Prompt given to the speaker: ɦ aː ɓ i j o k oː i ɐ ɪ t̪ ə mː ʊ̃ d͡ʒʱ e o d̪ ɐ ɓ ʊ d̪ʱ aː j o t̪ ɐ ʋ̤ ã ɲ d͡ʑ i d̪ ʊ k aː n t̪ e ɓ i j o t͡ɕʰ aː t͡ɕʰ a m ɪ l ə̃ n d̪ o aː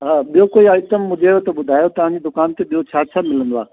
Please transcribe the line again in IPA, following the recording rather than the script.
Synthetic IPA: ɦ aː ɓ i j o k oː i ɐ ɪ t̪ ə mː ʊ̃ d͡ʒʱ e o t̪ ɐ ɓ ʊ d̪ʱ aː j o t̪ ɐ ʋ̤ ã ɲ d͡ʑ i d̪ ʊ k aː n t̪ e ɓ i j o t͡ɕʰ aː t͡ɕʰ a m ɪ l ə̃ n d̪ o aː